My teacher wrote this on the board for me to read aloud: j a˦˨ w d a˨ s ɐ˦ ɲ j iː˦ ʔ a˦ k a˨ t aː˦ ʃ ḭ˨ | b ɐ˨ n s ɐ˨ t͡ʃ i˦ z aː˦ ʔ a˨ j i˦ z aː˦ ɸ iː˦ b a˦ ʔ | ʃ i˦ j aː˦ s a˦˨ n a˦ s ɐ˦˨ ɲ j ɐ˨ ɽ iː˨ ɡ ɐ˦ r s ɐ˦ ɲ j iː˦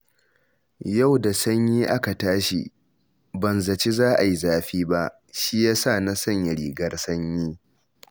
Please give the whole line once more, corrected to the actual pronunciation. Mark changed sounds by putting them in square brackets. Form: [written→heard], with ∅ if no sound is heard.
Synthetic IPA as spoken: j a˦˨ w d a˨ s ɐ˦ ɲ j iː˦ ʔ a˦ k a˨ t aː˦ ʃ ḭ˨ | b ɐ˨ n [s→z] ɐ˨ t͡ʃ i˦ z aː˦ ʔ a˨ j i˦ z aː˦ ɸ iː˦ b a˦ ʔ | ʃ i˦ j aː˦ s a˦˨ n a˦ s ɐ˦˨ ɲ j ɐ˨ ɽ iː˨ ɡ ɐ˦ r s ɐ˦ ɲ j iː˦